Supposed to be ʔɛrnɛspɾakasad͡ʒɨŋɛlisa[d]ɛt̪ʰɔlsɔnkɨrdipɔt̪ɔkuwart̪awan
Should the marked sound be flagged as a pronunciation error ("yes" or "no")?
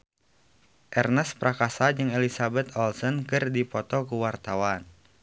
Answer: yes